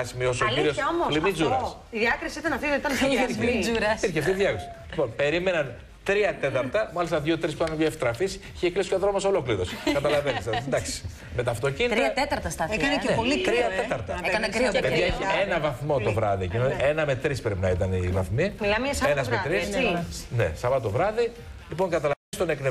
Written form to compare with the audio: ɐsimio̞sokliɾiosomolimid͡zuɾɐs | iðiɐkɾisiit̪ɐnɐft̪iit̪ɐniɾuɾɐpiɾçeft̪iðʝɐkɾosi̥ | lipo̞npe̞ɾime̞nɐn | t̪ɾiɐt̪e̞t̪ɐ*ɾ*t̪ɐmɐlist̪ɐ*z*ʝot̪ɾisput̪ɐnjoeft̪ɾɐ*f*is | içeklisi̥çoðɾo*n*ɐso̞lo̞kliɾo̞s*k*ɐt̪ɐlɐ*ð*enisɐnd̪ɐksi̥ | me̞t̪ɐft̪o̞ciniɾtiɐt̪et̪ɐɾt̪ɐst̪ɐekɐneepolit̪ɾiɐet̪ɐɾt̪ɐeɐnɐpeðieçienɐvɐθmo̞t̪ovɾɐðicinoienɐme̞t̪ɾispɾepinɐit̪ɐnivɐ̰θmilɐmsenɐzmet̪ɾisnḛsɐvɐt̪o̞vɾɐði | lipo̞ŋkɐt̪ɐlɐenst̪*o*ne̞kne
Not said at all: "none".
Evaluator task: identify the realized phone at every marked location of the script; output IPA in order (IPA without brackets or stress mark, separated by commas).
ɾ, ð, f, m, k, v, o